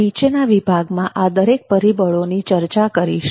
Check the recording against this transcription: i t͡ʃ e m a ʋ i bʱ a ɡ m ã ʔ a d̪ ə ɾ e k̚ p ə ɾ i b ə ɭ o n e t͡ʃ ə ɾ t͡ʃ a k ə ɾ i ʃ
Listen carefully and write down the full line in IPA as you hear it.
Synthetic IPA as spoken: i t͡ʃ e n a ʋ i bʱ a ɡ m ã ʔ a d̪ ə ɾ e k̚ p ə ɾ i b ə ɭ o n i t͡ʃ ə ɾ t͡ʃ a k ə ɾ i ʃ

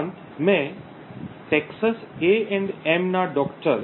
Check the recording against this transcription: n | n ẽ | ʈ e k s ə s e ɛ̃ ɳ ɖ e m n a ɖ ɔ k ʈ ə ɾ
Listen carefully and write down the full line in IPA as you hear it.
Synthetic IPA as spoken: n | m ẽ | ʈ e k s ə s e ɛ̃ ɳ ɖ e m n a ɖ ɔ k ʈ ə ɾ

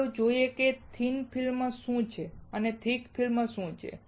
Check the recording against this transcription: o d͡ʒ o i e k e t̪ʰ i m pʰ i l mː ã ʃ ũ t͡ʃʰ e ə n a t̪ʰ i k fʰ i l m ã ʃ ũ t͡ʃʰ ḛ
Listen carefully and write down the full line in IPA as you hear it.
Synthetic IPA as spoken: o d͡ʒ o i e k e t̪ʰ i n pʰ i l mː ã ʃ ũ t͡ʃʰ e ə n e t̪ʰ i k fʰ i l m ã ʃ ũ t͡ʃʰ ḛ

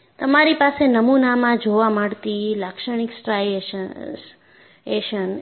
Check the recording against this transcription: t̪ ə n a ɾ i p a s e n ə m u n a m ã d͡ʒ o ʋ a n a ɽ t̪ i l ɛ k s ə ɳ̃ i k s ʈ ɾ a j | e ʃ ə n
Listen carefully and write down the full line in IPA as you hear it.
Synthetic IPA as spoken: t̪ ə m a ɾ i p a s e n ə m u n a m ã d͡ʒ o ʋ a m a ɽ t̪ i l a k ʃ ə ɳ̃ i k s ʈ ɾ a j | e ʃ ə n

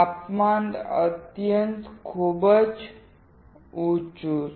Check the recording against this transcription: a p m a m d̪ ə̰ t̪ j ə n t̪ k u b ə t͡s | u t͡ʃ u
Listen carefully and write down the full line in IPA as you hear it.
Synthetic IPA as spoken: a p m a n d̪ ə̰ t̪ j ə n t̪ kʰ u b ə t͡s | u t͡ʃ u

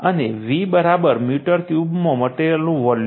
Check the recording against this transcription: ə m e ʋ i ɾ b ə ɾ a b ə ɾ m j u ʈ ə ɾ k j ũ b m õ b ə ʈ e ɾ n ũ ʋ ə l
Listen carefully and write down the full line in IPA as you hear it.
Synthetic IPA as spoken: ə n e ʋ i b ə ɾ a b ə ɾ m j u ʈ ə ɾ k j u b m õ m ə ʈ e l n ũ ʋ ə l

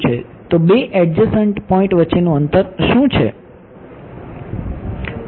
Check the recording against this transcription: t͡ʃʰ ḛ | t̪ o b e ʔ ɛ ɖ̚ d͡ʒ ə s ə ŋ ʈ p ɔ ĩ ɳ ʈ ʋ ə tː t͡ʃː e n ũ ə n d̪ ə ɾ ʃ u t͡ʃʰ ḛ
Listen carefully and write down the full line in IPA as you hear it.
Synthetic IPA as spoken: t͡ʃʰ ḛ | t̪ o b e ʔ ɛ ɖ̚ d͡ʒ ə s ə ɳ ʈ p ɔ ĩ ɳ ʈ ʋ ə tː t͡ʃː e n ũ ə n t̪ ə ɾ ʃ ũ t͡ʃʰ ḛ

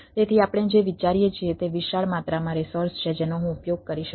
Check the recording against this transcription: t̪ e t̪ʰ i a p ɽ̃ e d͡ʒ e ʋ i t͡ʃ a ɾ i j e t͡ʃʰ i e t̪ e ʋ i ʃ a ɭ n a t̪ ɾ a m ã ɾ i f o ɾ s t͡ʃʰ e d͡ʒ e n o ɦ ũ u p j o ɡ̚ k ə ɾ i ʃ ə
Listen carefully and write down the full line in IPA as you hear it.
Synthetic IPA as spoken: t̪ e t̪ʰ i a p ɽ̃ e d͡ʒ e ʋ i t͡ʃ a ɾ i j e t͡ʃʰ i e t̪ e ʋ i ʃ a ɭ m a t̪ ɾ a m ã ɾ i s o ɾ s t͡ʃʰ e d͡ʒ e n o ɦ ũ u p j o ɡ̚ k ə ɾ i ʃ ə

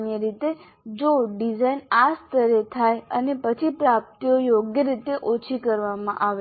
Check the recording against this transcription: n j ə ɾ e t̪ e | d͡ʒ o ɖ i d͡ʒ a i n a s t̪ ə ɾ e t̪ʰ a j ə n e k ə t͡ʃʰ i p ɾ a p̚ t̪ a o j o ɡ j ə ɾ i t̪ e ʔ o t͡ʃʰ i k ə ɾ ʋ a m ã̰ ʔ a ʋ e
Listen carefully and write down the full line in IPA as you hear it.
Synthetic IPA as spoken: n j ə ɾ i t̪ e | d͡ʒ o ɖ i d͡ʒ a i n a s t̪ ə ɾ e t̪ʰ a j ə n e p ə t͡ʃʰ i p ɾ a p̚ t̪ i o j o ɡ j ə ɾ i t̪ e ʔ o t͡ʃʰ i k ə ɾ ʋ a m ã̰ ʔ a ʋ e

